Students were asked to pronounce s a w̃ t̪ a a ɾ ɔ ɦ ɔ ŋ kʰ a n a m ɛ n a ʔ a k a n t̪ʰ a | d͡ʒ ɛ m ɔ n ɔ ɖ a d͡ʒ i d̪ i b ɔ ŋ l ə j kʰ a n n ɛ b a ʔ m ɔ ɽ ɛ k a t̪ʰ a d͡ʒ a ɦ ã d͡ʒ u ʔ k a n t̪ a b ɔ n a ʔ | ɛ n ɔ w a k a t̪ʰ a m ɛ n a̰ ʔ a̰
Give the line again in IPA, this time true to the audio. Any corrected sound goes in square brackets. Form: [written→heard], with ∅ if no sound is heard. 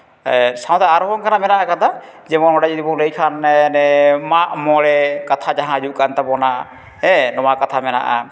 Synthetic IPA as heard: s a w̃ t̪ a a ɾ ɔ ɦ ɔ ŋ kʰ a n a m ɛ n a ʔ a k a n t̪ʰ a | d͡ʒ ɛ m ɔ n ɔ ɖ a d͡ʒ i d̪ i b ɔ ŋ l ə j kʰ a n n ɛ [b→m] a ʔ m ɔ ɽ ɛ k a t̪ʰ a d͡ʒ a ɦ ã d͡ʒ u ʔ k a n t̪ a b ɔ n a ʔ | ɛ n ɔ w a k a t̪ʰ a m ɛ n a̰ ʔ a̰